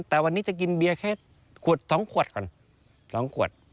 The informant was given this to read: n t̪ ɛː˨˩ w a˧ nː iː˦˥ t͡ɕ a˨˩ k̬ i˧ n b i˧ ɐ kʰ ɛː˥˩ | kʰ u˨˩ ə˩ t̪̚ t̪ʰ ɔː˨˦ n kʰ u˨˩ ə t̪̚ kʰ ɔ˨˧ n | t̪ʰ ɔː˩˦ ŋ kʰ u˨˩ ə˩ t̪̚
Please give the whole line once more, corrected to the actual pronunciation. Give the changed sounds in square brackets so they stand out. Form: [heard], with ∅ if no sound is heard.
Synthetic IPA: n t̪ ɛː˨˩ w a˧ nː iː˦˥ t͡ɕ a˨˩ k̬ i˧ n b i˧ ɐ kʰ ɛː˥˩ | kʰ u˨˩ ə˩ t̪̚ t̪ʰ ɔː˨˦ [ŋ] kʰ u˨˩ ə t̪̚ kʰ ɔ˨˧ n | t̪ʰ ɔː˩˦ ŋ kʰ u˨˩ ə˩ t̪̚